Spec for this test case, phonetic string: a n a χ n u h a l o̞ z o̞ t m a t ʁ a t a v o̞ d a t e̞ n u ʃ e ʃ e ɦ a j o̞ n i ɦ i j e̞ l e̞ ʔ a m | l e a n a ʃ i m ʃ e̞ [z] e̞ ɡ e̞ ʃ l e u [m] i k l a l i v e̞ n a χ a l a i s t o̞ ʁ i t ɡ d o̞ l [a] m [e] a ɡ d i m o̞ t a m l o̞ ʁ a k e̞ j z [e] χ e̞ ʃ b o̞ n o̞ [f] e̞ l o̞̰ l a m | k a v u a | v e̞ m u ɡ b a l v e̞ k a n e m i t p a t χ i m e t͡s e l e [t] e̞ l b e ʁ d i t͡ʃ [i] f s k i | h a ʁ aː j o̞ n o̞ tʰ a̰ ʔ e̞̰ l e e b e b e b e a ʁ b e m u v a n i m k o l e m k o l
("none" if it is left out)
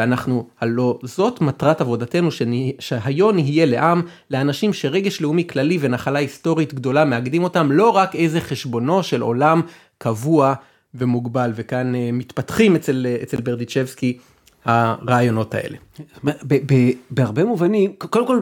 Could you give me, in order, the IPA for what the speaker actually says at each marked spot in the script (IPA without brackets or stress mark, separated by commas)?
ʁ, m, a, e, e, ʃ, t͡s, e